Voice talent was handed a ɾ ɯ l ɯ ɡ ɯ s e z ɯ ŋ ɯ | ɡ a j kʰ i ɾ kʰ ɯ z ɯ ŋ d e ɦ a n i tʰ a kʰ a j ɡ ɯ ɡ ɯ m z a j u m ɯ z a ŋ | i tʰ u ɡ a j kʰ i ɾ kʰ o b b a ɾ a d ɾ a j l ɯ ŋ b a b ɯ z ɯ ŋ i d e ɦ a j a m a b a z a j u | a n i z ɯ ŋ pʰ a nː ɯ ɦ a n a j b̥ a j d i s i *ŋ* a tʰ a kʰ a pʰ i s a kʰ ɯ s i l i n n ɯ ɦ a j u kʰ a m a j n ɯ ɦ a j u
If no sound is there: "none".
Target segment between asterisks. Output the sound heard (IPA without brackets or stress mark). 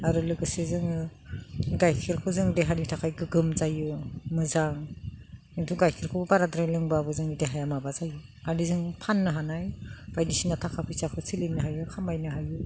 n